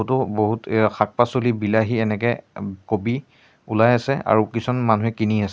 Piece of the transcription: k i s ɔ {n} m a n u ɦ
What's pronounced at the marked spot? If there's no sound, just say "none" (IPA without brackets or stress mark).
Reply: n